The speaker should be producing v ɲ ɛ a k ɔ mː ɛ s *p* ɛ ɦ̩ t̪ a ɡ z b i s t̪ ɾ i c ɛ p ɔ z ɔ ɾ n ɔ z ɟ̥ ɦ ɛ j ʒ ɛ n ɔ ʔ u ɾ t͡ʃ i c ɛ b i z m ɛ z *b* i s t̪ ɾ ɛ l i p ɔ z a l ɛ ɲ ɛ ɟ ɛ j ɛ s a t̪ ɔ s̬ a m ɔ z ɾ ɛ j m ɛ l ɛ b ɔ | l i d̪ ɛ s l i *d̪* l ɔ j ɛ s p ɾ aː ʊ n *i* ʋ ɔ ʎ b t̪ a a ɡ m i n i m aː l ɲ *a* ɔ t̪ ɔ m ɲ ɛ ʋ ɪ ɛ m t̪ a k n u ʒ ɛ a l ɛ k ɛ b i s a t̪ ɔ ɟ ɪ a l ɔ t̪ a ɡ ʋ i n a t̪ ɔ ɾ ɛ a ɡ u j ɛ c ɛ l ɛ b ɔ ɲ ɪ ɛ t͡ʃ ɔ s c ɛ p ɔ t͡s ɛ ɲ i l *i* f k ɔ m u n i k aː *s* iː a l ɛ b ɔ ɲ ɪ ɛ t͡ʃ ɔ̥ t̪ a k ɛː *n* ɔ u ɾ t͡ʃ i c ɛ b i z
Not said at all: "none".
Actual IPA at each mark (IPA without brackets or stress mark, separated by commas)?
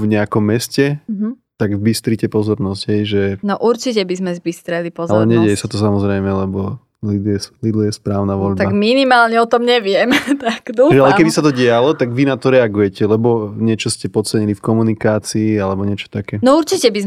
c, b, d̪, a, ɛ, i, t͡s, n